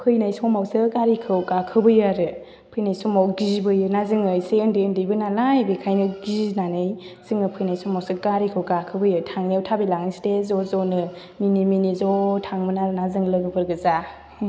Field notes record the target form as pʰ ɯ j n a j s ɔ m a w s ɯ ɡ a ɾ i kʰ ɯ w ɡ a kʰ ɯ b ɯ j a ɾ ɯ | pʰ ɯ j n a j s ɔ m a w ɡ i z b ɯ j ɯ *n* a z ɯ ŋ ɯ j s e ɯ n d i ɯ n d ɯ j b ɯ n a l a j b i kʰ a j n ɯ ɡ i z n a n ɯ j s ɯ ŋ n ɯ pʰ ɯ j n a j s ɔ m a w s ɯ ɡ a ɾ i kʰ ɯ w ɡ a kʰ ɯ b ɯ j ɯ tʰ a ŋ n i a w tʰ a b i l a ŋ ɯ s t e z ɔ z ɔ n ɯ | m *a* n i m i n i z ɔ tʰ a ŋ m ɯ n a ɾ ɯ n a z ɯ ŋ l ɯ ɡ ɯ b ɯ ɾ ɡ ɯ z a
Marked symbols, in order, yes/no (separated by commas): yes, no